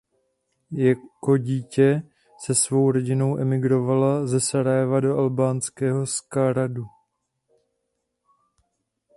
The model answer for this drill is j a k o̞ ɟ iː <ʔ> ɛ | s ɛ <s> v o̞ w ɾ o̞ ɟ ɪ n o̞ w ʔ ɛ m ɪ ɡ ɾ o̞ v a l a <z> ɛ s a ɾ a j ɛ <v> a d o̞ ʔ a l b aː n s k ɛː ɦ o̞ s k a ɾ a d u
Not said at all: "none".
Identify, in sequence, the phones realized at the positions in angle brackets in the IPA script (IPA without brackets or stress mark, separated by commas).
c, s, z, v